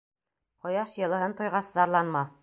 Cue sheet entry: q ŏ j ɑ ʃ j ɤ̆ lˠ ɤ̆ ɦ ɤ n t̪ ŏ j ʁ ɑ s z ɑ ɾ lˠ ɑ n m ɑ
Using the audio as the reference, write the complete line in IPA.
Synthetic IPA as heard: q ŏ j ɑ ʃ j ɤ̆ lˠ ɤ̆ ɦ ɤ n t̪ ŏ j ʁ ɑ s z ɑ ɾ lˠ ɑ n m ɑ